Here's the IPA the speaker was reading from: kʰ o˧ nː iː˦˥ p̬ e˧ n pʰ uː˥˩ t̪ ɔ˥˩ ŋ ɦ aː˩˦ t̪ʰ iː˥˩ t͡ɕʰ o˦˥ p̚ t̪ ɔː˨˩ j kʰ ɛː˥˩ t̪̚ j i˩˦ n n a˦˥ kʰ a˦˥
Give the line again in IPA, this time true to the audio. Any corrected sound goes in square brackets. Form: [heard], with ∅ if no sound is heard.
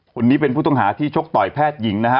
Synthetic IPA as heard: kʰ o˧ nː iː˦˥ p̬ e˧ n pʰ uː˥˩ t̪ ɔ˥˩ ŋ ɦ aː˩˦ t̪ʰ iː˥˩ t͡ɕʰ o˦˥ [k̚] t̪ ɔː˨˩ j [pʰ] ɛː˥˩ t̪̚ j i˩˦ [ŋ] n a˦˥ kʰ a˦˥